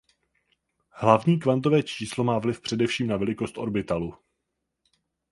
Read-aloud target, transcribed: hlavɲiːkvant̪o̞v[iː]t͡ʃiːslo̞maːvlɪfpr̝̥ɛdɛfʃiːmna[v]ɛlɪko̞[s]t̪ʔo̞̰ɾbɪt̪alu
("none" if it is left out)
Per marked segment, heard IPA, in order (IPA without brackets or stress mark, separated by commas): ɛː, v, s